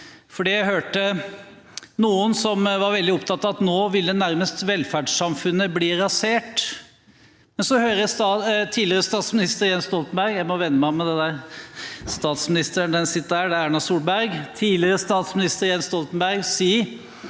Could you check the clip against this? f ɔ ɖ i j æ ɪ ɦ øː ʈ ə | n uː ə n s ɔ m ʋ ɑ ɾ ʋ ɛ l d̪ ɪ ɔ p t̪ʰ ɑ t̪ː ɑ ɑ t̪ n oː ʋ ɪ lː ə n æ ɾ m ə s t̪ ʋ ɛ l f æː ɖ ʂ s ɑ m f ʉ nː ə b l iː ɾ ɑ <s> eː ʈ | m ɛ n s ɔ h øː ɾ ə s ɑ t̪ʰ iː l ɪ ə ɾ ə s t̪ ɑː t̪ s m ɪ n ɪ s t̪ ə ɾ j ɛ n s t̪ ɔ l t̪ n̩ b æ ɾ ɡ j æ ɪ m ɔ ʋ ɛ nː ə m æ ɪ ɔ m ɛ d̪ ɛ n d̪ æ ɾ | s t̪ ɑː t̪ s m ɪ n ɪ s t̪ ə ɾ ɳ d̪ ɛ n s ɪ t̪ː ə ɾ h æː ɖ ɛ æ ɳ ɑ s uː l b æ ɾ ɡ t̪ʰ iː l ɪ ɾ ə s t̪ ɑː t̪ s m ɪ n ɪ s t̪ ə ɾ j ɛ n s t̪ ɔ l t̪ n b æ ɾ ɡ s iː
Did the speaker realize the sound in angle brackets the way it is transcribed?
yes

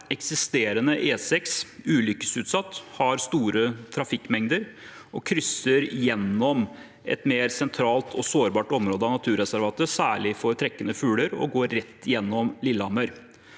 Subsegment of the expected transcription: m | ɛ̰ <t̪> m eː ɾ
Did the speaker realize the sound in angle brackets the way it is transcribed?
yes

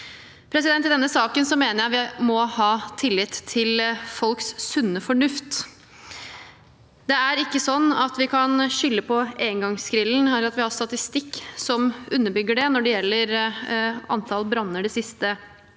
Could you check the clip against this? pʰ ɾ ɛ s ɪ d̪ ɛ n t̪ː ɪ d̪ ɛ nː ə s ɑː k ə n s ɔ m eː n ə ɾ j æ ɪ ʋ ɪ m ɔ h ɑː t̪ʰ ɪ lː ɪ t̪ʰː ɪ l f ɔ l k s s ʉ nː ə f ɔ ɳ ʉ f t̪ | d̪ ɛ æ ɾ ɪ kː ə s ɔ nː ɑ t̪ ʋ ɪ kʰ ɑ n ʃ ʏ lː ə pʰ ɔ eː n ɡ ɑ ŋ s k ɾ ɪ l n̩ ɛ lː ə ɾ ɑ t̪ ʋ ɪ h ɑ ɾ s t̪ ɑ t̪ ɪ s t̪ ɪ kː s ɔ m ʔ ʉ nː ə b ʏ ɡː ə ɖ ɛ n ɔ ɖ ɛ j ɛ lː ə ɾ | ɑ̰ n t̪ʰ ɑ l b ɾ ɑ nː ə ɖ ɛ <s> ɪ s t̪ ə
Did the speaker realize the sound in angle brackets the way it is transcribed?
yes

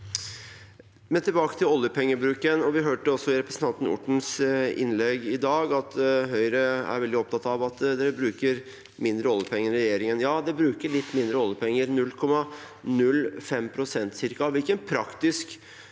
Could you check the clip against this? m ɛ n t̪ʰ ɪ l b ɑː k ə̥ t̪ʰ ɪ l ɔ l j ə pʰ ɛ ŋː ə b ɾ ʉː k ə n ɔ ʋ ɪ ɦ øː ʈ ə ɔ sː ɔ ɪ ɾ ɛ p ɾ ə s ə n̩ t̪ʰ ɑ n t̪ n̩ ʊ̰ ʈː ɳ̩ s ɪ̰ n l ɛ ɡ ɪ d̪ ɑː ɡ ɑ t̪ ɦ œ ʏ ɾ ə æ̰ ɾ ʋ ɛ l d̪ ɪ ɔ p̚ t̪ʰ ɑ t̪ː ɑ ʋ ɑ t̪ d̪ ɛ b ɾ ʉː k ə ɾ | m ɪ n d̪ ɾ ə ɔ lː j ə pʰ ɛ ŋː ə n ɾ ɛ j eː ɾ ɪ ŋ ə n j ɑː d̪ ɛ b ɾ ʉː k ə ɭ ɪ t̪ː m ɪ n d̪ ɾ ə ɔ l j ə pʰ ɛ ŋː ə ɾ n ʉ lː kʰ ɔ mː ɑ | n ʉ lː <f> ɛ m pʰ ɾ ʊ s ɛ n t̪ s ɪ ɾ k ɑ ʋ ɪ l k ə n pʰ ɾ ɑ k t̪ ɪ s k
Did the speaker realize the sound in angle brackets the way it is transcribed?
yes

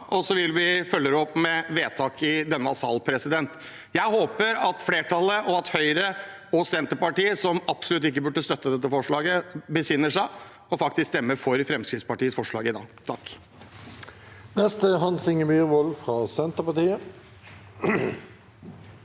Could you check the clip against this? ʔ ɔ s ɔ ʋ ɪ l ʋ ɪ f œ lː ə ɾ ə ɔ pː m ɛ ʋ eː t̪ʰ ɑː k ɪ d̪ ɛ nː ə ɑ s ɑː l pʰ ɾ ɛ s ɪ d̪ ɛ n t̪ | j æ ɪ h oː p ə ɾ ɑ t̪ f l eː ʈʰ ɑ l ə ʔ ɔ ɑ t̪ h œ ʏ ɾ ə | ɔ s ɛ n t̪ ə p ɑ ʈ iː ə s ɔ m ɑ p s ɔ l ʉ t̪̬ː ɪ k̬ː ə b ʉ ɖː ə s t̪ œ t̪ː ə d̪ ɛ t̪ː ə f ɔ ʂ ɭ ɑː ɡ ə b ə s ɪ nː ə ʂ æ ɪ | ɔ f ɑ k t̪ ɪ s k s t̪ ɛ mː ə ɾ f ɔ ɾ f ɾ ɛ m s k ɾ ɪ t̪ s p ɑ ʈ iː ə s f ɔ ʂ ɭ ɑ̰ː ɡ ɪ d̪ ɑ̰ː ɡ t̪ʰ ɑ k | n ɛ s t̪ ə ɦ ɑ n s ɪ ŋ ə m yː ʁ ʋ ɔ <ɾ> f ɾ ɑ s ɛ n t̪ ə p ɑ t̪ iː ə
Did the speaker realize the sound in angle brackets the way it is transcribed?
no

